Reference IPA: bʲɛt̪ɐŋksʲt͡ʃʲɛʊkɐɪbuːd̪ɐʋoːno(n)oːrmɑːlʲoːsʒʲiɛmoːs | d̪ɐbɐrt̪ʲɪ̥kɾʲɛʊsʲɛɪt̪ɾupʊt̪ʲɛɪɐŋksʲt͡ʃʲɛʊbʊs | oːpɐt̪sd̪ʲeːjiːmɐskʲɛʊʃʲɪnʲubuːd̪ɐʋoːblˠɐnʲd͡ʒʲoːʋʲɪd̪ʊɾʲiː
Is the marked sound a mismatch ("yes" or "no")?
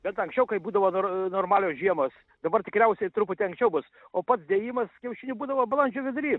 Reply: no